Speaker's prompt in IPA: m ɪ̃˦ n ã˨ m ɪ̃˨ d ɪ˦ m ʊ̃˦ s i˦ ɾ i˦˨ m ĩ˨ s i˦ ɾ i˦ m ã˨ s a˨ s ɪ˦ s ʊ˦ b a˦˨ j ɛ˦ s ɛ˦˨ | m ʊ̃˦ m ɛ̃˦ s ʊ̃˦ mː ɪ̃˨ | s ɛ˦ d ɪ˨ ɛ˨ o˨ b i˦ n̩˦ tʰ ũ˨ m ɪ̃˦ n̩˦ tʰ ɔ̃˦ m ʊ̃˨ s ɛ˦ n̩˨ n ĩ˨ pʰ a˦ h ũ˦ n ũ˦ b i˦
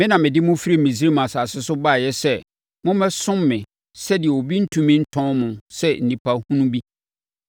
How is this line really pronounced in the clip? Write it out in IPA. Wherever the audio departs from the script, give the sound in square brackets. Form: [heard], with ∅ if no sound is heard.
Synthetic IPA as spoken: m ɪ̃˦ n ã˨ m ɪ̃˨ d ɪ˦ m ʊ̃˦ [f] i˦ ɾ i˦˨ m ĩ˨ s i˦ ɾ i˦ m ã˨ s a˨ s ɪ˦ s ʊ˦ b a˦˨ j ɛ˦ s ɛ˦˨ | m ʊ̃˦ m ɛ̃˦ s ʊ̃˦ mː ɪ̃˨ | s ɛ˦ d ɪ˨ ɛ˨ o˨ b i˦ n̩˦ tʰ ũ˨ m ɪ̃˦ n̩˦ tʰ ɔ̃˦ m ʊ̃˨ s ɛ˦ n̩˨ n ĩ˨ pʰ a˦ h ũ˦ n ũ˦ b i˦